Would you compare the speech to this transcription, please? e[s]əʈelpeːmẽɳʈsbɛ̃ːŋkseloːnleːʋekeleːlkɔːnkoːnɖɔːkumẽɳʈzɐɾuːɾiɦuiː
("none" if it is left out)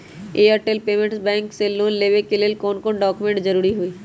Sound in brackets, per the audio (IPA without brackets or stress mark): none